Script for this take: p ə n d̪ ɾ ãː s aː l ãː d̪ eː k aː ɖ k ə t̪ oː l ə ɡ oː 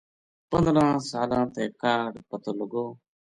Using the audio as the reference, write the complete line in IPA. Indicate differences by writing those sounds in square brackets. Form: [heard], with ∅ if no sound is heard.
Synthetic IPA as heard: p ə n d̪ ɾ ãː s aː l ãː [t̪] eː k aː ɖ [p] ə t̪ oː l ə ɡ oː